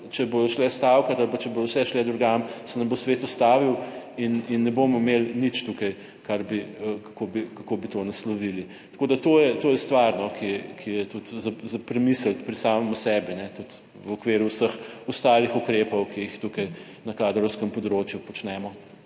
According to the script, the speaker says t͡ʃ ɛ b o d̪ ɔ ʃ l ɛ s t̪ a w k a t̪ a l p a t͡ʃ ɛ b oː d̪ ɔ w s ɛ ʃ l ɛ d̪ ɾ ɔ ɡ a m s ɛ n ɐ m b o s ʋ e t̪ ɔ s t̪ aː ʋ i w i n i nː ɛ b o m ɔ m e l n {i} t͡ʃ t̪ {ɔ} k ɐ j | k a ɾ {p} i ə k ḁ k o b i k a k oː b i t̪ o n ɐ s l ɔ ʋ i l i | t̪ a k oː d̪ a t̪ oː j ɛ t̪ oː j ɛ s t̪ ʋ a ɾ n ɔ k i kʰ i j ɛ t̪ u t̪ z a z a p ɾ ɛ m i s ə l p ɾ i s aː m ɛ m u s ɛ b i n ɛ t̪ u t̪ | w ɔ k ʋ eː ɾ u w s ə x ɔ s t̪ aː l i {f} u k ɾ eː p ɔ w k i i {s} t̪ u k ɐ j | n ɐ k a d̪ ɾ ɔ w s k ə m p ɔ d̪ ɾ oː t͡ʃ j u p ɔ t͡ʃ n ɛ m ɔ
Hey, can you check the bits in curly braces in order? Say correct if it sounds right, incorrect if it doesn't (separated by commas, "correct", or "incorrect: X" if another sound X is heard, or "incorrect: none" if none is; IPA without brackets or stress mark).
correct, incorrect: u, incorrect: b, incorrect: x, incorrect: x